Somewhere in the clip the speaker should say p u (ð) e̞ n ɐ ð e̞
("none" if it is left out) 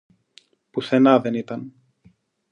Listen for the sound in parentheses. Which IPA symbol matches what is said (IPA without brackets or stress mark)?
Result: θ